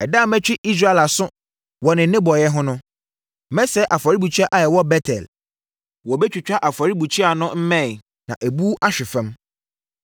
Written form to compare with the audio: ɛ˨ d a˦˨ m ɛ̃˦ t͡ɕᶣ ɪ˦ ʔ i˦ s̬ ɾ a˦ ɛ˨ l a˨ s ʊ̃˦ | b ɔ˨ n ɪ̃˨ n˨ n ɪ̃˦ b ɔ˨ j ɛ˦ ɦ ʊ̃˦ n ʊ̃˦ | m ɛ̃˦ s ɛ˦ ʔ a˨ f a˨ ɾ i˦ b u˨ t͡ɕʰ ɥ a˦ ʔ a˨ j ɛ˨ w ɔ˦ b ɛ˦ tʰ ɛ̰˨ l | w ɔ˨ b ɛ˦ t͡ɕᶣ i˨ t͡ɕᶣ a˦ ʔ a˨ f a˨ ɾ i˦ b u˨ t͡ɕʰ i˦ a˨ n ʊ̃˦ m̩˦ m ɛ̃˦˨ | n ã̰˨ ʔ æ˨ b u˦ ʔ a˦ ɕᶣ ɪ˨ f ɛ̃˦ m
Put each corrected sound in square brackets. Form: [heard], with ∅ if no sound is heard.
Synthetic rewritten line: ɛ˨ d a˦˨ m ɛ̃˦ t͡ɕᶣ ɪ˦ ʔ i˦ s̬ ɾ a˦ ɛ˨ l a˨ s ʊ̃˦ | [w] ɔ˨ n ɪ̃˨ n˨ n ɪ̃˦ b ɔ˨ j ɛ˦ ɦ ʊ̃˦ n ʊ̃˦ | m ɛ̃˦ s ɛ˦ ʔ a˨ f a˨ ɾ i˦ b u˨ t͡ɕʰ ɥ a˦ ʔ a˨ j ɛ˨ w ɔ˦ b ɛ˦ tʰ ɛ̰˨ l | w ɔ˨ b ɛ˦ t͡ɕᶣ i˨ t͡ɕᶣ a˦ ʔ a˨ f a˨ ɾ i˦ b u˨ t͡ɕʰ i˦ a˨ n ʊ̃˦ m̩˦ m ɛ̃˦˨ | n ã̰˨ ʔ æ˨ b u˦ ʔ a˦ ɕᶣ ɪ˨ f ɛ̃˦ m